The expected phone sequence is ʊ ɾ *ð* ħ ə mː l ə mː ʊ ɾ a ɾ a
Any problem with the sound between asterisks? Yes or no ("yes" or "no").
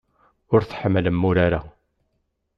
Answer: yes